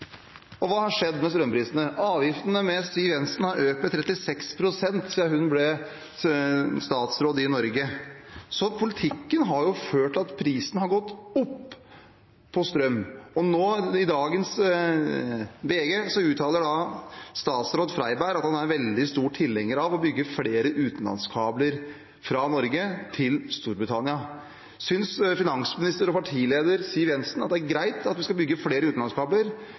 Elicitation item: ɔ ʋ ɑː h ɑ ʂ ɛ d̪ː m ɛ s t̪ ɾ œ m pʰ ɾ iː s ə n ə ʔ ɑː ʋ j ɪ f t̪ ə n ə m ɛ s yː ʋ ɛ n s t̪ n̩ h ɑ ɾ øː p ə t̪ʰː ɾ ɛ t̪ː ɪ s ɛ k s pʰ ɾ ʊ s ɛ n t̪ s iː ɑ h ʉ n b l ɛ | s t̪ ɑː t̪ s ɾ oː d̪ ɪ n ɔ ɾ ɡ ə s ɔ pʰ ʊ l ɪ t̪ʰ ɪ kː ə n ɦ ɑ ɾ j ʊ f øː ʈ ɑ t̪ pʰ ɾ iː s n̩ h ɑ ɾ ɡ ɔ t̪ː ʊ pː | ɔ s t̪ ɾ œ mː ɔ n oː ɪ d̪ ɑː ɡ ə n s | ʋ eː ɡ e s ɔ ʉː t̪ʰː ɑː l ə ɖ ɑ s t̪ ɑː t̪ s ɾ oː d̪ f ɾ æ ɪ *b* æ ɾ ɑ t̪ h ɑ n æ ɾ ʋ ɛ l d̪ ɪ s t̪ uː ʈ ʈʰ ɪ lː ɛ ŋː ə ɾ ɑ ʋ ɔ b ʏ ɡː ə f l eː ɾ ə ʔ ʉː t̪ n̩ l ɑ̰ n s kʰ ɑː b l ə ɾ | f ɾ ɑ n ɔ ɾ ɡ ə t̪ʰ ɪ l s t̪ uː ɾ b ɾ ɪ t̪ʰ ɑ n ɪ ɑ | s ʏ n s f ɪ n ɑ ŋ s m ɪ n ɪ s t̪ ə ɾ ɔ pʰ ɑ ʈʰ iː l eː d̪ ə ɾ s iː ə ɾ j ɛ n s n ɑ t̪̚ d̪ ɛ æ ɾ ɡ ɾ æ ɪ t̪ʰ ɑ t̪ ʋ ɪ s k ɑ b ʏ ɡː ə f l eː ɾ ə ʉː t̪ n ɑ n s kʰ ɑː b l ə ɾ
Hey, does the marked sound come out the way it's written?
yes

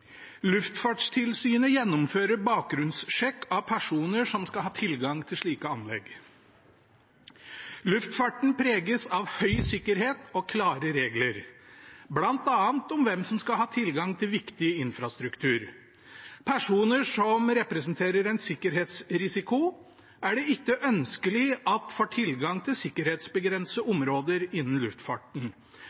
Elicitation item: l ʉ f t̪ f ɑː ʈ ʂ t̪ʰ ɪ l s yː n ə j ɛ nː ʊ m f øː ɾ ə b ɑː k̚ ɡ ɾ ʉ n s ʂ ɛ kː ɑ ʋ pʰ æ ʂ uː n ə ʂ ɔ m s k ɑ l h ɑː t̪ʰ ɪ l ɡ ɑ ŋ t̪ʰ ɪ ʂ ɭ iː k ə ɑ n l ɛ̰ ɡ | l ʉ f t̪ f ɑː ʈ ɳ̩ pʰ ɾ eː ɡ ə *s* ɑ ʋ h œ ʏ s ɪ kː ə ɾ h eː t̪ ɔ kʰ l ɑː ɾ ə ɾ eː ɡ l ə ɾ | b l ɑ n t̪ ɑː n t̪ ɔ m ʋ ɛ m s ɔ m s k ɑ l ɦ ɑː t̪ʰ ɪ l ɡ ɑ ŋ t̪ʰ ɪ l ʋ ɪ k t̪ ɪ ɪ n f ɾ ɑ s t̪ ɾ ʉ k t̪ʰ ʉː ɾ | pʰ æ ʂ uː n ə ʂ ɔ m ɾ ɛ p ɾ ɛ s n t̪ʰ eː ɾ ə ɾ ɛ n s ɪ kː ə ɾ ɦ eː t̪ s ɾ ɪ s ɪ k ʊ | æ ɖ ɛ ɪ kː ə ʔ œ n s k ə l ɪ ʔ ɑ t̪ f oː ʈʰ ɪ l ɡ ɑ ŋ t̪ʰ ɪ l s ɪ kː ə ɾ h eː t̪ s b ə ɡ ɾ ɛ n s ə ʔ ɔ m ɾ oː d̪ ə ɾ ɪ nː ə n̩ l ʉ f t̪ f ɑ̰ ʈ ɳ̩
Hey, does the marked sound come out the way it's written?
yes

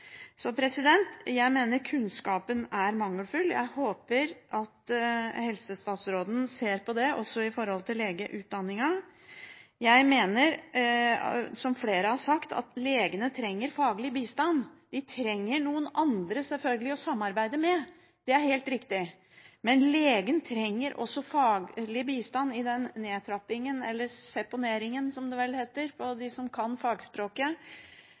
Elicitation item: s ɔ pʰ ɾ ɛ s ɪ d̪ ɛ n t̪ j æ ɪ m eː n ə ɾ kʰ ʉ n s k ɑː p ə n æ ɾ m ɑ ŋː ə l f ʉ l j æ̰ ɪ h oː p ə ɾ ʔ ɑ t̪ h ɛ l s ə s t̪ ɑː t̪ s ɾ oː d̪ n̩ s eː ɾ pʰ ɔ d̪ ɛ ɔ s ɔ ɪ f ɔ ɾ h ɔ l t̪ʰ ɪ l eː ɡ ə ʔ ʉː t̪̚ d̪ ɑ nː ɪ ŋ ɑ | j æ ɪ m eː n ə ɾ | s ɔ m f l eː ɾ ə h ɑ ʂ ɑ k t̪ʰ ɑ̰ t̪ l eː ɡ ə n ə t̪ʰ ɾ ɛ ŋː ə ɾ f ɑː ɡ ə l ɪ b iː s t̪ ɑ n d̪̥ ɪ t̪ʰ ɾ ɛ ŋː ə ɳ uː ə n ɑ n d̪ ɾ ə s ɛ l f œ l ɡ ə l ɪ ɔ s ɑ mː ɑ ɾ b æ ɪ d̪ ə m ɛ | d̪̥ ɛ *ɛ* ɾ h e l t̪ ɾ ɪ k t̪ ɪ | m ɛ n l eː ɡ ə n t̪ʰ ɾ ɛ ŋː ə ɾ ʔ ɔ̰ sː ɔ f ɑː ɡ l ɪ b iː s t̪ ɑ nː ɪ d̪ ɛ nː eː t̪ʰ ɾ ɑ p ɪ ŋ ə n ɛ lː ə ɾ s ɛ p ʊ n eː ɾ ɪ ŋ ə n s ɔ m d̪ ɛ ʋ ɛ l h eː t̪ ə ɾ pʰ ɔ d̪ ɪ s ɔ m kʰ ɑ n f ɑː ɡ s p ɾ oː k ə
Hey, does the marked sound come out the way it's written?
no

